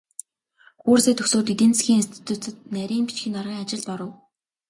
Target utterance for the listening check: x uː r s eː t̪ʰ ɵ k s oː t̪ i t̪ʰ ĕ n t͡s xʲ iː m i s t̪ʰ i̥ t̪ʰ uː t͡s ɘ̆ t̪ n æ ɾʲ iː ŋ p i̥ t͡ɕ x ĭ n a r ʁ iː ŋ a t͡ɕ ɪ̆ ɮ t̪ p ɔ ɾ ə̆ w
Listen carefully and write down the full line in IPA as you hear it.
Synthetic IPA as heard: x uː r s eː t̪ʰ ɵ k s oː t̪ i t̪ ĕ n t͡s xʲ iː ŋ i s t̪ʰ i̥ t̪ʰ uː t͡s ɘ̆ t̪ n æ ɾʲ iː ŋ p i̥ t͡ɕ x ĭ n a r ʁ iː ŋ a t͡ɕ ɪ̆ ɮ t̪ p ɔ ɾ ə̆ w